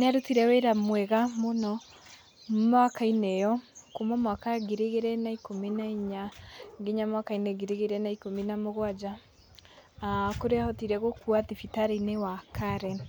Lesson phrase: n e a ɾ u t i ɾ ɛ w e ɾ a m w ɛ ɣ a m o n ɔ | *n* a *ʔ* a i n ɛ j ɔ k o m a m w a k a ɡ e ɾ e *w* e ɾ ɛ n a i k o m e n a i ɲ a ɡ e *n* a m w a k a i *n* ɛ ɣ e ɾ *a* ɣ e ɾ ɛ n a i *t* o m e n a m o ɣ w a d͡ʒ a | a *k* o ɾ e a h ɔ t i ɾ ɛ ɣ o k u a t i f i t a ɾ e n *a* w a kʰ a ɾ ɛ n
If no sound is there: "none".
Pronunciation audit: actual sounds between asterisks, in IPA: m, k, ɣ, ɲ, n, e, k, k, e

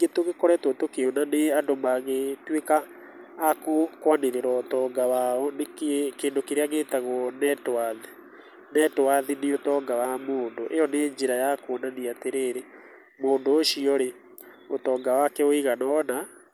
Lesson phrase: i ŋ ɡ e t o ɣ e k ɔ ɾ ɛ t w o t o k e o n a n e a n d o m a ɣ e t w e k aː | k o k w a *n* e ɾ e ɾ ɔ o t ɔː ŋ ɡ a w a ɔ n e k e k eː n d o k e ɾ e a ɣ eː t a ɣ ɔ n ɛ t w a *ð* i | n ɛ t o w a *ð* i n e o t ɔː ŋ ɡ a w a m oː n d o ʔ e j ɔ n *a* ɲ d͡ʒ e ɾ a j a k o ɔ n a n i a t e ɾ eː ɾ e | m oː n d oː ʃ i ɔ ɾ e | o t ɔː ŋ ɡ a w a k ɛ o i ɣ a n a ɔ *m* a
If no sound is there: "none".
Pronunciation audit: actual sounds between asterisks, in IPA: n, ð, ð, e, n

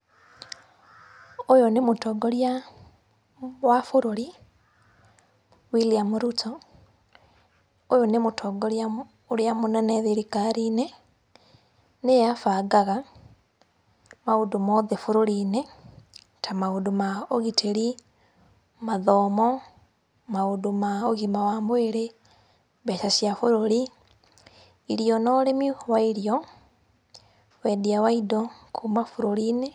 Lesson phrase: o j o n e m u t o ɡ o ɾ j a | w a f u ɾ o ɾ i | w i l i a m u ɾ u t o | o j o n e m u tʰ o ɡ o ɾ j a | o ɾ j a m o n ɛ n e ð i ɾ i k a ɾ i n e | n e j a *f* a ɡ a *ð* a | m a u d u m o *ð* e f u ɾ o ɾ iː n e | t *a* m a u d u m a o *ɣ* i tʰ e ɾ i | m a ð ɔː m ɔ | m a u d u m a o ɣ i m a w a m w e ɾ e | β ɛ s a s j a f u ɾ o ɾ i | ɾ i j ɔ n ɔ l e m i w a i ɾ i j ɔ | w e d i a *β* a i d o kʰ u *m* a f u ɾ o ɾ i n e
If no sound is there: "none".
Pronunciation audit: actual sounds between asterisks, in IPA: f, ɣ, ð, a, ɣ, w, m

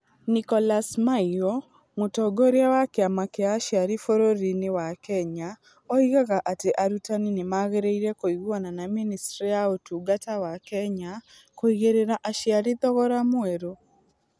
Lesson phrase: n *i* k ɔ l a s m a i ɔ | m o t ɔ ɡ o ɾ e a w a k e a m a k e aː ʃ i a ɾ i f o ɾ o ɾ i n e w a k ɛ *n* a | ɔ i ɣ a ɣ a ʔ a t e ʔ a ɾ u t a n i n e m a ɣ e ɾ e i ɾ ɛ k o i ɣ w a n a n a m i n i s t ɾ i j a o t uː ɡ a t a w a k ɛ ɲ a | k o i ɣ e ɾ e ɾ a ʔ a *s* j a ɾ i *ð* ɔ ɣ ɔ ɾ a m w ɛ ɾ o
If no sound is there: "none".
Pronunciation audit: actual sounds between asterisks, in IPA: i, ɲ, ʃ, ð

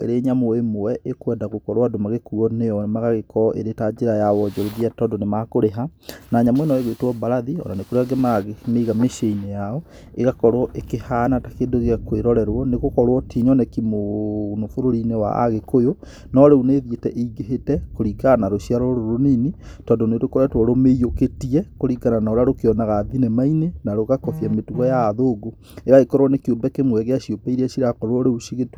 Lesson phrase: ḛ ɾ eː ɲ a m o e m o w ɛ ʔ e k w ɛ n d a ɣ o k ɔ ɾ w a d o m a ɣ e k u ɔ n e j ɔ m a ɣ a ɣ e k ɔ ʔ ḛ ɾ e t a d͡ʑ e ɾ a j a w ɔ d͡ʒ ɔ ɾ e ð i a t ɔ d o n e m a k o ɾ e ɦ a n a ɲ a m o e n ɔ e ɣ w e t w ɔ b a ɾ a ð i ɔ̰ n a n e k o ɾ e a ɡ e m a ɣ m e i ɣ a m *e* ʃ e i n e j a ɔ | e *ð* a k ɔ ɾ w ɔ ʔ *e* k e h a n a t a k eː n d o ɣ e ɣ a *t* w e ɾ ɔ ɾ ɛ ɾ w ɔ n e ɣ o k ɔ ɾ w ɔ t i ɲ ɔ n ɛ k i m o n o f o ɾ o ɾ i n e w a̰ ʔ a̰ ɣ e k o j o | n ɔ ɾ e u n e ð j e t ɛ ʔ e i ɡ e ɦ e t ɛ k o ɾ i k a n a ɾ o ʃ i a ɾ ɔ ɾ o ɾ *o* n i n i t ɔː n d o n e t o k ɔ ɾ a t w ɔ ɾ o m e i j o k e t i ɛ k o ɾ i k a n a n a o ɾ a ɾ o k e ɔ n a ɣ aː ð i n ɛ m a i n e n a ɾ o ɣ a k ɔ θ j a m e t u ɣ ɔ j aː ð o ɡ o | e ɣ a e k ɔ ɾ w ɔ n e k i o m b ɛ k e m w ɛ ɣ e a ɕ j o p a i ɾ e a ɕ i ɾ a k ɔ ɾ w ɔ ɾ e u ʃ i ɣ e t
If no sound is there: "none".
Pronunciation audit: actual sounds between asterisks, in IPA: e, ɣ, e, k, o

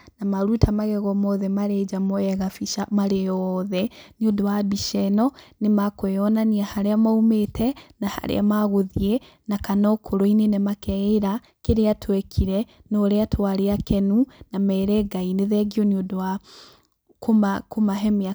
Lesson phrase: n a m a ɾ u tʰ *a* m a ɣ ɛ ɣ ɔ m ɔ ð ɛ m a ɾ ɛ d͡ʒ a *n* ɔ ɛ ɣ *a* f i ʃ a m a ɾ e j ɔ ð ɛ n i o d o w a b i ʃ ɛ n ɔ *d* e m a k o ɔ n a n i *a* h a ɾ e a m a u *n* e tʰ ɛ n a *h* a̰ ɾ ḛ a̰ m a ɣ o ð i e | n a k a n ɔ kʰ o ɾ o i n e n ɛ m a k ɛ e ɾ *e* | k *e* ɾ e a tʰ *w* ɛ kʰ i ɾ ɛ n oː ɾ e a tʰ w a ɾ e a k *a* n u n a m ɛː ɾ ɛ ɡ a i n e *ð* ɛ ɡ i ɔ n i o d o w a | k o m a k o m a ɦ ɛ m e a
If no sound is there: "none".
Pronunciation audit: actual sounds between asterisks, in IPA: a, m, a, n, a, m, h, a, e, w, ɛ, ð

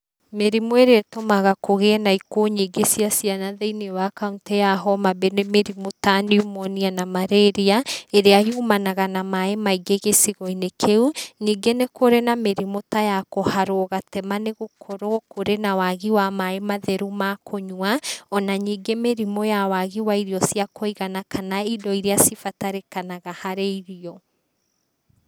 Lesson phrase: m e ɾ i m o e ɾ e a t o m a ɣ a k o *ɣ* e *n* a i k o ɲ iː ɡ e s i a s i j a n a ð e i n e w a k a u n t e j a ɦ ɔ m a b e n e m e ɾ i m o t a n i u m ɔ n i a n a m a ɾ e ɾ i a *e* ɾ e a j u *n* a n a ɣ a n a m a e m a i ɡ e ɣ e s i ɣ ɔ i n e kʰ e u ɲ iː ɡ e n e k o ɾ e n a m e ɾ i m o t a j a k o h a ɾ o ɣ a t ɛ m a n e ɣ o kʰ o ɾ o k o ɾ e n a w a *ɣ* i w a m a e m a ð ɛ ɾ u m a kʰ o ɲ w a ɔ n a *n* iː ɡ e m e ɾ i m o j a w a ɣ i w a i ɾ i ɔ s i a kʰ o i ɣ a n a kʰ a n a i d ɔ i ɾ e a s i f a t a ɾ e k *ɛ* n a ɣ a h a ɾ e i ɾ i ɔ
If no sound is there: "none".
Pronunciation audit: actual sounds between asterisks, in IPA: ɣ, n, e, m, ɣ, ɲ, a

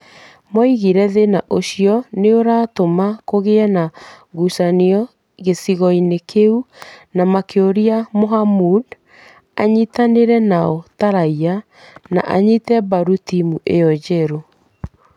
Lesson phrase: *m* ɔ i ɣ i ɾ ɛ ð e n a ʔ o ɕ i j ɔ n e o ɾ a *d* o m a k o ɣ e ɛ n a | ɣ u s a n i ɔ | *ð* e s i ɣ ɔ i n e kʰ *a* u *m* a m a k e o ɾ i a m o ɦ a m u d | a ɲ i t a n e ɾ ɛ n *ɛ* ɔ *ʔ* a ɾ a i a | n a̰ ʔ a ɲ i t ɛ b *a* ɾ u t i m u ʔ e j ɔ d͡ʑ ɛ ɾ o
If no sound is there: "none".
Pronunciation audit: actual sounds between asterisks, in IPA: m, t, ɣ, e, n, a, t, a

